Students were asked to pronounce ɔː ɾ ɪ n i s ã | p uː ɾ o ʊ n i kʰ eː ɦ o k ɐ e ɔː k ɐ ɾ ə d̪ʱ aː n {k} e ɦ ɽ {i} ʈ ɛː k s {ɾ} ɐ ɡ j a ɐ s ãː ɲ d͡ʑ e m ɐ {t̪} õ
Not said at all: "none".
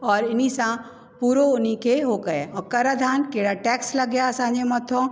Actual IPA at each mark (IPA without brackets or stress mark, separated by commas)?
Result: k, a, l, t̪ʰ